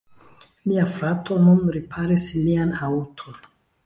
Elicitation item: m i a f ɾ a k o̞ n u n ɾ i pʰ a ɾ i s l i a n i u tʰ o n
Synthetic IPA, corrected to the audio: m i a f ɾ a t o̞ n u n ɾ i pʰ a ɾ i s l i a n a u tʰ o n